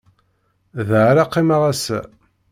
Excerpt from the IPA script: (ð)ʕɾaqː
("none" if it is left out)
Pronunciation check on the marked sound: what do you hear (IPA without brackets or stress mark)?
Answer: ð